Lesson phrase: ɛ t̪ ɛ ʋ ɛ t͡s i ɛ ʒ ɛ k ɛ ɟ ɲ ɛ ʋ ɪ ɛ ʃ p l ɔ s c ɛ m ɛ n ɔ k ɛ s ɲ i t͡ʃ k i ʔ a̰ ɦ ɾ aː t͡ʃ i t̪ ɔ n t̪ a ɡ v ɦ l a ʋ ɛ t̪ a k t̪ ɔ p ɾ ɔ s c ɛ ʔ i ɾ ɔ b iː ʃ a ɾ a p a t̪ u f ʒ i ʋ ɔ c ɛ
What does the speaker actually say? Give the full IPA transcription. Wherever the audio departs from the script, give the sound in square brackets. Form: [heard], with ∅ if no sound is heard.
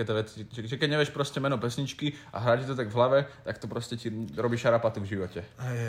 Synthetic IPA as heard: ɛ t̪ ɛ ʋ ɛ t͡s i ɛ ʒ ɛ k ɛ ɟ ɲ ɛ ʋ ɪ ɛ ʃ p [ɾ] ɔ s c ɛ m ɛ n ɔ [p] ɛ s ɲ i t͡ʃ k i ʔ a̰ ɦ ɾ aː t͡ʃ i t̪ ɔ [∅] t̪ a ɡ v ɦ l a ʋ ɛ t̪ a k t̪ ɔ p ɾ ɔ s c ɛ [c] i ɾ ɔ b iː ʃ a ɾ a p a t̪ u [v] ʒ i ʋ ɔ c ɛ